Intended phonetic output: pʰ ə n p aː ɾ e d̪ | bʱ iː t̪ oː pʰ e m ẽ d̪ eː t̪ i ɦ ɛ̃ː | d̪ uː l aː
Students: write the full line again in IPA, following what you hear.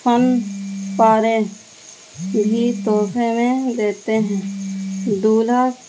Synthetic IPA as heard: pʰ ə n p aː ɾ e | bʱ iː t̪ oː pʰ e m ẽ d̪ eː t̪ e ɦ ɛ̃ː | d̪ uː l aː

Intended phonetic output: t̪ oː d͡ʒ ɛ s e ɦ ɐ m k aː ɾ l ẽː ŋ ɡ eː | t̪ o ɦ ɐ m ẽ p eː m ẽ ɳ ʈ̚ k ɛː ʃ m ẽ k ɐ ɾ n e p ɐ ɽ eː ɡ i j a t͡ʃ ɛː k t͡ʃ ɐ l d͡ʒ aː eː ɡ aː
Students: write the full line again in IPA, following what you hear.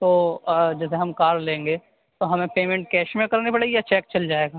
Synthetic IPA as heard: t̪ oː d͡ʒ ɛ s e ɦ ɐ m k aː ɾ l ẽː ŋ ɡ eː | t̪ o ɦ ɐ m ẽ p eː m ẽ ɳ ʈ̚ k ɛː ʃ m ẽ k ɐ ɾ n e p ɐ ɽ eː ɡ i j a t͡ʃ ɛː k t͡ʃ ɐ l d͡ʒ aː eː ɡ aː

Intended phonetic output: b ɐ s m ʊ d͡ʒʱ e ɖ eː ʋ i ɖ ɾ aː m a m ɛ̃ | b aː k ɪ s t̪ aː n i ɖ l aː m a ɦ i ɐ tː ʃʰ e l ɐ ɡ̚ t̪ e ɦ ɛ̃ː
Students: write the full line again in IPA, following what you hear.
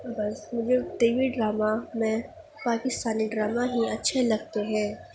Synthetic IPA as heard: b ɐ s m ʊ d͡ʒʱ e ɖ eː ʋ i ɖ ɾ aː m a m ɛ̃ | p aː k ɪ s t̪ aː n i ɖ ɾ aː m a ɦ i ɐ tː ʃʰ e l ɐ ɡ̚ t̪ e ɦ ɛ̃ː

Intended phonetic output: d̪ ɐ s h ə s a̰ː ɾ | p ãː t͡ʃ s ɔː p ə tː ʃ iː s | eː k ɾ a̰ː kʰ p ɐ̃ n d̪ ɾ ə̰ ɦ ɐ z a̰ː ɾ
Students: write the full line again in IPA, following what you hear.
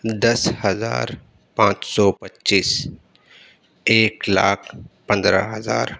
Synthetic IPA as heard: d̪ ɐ s h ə z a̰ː ɾ | p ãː t͡ʃ s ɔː p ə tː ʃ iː s | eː k l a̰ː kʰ p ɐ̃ n d̪ ɾ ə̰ ɦ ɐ z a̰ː ɾ

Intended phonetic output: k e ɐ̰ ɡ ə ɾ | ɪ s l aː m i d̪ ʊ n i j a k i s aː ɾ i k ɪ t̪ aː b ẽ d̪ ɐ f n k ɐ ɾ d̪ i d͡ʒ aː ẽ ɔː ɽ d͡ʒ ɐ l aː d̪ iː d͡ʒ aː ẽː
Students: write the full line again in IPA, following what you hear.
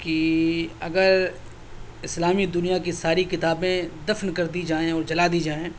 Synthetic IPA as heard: k i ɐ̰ ɡ ə ɾ | ɪ s l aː m i d̪ ʊ n i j a k i s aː ɾ i k ɪ t̪ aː b ẽ d̪ ɐ f n k ɐ ɾ d̪ i d͡ʒ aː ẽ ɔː ɾ d͡ʒ ɐ l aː d̪ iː d͡ʒ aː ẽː

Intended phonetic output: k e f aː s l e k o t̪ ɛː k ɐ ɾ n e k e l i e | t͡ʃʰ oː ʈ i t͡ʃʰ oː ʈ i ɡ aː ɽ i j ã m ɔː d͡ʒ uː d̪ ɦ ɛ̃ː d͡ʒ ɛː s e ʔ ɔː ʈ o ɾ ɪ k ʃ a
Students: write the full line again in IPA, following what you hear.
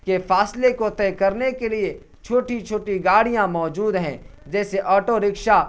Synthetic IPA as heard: k e f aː s l e k o t̪ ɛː k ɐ ɾ n e k e l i e | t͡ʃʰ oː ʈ i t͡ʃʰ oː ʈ i ɡ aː ɽ i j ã m ɔː d͡ʒ uː d̪ ɦ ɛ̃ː d͡ʒ ɛː s e ʔ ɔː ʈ o ɾ ɪ k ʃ a

